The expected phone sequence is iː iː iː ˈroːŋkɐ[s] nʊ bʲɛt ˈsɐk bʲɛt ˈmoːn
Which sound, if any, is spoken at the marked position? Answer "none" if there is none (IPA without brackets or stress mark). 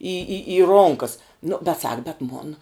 s